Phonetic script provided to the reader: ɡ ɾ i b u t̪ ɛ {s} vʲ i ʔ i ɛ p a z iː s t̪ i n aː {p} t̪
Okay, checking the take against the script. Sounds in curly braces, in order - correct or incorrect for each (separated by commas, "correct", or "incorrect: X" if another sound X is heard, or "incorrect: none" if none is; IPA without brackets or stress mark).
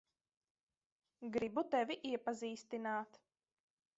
incorrect: none, incorrect: none